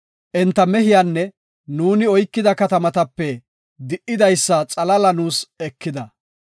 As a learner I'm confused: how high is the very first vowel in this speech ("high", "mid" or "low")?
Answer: mid